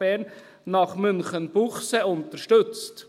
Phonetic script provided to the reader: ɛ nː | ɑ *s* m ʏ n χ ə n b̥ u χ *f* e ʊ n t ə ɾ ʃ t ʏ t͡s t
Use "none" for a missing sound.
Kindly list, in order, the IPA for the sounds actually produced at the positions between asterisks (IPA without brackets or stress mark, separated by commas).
χ, s